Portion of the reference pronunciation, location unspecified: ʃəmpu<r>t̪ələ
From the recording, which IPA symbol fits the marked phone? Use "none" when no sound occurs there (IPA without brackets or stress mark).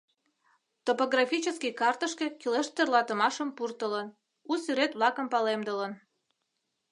r